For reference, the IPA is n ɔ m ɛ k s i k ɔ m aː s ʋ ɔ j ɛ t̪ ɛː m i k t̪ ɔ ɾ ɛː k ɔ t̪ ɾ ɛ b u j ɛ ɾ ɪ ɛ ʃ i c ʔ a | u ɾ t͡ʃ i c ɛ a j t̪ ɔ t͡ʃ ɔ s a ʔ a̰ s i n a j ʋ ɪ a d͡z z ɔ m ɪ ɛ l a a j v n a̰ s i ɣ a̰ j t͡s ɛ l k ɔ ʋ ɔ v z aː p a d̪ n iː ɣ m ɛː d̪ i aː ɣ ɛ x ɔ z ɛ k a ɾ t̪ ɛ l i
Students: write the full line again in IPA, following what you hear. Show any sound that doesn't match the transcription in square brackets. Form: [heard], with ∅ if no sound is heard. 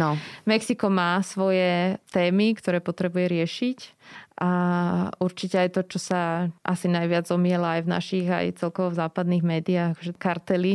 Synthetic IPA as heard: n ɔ m ɛ k s i k ɔ m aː s ʋ ɔ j ɛ t̪ ɛː m i k t̪ ɔ ɾ ɛː [p] ɔ t̪ ɾ ɛ b u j ɛ ɾ ɪ ɛ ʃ i c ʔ a | u ɾ t͡ʃ i c ɛ a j t̪ ɔ t͡ʃ ɔ s a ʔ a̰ s i n a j ʋ ɪ a d͡z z ɔ m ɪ ɛ l a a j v n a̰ [ʃ] i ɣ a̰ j t͡s ɛ l k ɔ ʋ ɔ v z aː p a d̪ n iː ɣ m ɛː d̪ i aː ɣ [a] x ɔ [ʒ] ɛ k a ɾ t̪ ɛ l i